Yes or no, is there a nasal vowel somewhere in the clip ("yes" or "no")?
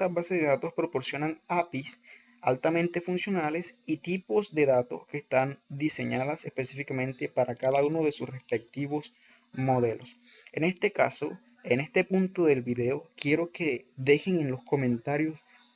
yes